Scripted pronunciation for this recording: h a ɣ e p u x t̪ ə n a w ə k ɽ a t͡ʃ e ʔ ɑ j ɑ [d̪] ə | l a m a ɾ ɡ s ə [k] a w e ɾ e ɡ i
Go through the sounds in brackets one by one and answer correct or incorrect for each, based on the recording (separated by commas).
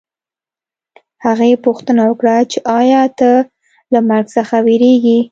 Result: incorrect, incorrect